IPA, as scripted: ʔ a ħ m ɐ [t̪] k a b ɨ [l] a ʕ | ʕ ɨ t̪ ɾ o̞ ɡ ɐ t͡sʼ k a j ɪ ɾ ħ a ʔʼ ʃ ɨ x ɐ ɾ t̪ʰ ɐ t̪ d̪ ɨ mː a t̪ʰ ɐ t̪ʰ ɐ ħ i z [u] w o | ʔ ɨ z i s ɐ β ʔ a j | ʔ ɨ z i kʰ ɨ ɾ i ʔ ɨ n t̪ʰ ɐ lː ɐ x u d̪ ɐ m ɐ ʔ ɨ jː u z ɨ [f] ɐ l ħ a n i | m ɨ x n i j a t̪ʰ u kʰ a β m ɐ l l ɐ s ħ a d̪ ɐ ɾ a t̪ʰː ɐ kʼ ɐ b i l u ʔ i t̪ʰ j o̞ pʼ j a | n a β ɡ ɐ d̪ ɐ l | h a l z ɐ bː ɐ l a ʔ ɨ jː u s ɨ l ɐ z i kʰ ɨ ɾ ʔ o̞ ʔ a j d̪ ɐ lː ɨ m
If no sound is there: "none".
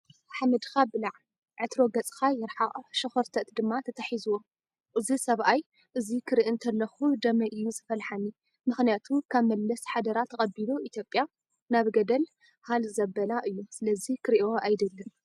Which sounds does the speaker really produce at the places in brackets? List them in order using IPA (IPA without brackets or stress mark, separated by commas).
d̪, l, u, f